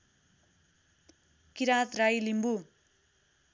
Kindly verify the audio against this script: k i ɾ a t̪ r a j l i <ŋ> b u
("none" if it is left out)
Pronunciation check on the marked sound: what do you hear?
m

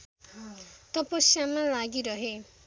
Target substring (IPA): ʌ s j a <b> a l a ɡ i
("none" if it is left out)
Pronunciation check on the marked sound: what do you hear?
m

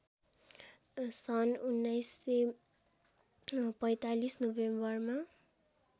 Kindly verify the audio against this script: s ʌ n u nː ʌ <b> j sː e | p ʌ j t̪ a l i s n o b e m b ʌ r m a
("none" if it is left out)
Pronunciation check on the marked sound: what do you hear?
none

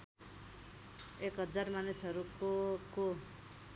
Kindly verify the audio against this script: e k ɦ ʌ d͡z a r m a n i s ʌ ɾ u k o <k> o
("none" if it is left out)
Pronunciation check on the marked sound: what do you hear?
k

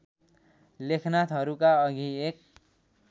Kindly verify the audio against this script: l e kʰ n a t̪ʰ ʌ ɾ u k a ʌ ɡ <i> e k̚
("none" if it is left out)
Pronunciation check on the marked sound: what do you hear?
i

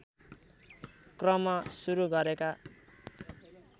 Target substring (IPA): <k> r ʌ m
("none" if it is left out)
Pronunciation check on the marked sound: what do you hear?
k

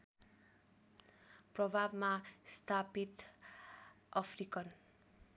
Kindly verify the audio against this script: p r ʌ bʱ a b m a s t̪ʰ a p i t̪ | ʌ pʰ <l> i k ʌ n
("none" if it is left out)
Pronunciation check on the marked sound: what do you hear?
r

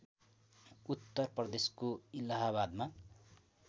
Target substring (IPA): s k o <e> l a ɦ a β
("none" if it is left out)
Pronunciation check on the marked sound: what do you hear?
i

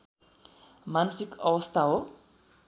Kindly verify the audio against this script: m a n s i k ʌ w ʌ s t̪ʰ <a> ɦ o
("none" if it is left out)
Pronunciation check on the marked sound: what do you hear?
a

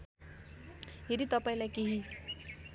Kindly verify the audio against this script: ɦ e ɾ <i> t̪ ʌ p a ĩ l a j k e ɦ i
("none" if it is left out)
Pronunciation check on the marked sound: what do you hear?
i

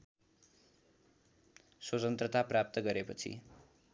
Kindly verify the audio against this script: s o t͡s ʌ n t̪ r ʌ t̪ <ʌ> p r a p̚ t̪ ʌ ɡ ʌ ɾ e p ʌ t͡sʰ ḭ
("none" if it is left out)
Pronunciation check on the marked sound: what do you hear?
a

